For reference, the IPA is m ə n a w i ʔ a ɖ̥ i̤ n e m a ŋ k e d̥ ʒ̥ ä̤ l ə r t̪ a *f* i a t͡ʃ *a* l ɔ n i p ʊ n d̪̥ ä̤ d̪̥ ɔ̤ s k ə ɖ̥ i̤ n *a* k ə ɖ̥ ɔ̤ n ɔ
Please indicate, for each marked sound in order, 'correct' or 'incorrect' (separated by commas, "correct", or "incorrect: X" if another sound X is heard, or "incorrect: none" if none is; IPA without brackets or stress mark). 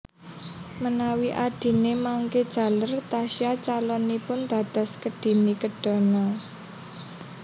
incorrect: ʃ, correct, incorrect: i